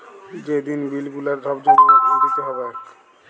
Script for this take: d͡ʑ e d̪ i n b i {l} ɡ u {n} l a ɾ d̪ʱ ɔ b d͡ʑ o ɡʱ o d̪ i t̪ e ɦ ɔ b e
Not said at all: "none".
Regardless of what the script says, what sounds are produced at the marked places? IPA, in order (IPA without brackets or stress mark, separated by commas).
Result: l, none